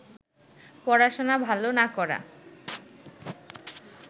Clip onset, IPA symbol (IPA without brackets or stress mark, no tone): p